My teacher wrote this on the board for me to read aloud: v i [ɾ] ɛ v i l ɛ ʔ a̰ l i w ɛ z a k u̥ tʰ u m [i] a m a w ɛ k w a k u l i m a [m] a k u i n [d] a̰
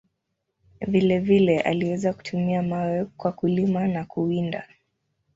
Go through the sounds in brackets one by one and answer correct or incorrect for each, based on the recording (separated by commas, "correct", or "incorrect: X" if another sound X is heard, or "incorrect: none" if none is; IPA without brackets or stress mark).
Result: incorrect: l, correct, incorrect: n, correct